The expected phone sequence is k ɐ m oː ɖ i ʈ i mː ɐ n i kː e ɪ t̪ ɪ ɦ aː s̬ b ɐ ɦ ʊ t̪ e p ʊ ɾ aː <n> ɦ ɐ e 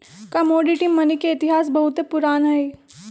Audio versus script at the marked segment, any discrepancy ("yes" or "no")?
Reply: no